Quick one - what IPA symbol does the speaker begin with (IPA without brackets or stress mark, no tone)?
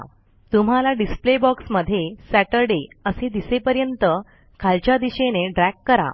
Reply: t̪